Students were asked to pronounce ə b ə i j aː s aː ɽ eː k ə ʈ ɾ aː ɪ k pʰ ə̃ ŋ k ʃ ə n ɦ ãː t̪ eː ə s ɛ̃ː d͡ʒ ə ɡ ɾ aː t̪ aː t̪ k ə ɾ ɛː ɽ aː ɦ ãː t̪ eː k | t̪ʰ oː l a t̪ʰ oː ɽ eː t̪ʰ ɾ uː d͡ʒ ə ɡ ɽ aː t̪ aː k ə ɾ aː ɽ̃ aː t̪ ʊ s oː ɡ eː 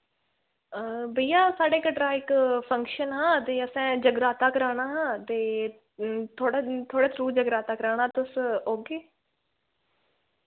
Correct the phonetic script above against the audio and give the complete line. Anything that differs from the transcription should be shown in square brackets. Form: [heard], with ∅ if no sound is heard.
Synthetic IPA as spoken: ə b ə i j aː s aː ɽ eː k ə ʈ ɾ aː ɪ k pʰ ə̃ ŋ k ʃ ə n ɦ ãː t̪ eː ə s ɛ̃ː d͡ʒ ə ɡ ɾ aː t̪ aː [∅] k ə ɾ [aː] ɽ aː ɦ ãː t̪ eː [∅] | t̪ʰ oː [ɽ] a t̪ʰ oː ɽ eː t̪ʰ ɾ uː d͡ʒ ə ɡ [ɾ] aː t̪ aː k ə ɾ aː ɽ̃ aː t̪ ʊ s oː ɡ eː